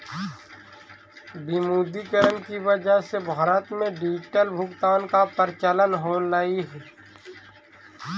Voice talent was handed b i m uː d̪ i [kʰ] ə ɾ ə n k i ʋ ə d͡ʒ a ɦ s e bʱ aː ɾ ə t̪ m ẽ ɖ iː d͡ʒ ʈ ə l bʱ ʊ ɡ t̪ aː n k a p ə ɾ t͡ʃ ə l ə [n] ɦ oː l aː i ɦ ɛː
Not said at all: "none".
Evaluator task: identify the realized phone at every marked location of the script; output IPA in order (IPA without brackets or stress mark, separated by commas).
k, n